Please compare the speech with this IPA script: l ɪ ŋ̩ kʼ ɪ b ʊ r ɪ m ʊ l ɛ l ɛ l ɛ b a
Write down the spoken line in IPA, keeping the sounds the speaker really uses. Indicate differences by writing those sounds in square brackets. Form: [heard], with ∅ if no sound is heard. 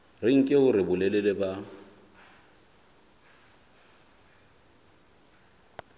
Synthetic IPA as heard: [r] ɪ ŋ̩ kʼ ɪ [∅] ʊ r ɪ [b] ʊ l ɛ l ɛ l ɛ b a